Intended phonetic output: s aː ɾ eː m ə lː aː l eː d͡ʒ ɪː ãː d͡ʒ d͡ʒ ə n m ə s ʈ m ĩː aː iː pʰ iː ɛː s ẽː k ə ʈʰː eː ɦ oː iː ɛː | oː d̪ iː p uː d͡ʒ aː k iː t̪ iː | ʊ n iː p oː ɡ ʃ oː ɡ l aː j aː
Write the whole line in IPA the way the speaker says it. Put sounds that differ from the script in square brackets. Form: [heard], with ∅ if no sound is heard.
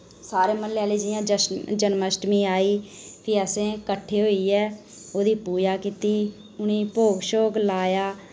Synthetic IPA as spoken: s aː ɾ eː m ə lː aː l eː d͡ʒ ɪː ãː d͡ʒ d͡ʒ ə n m ə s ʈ m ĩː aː iː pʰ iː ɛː s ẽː k ə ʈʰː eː ɦ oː iː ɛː | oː d̪ iː p uː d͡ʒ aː k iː t̪ iː | ʊ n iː p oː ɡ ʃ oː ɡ l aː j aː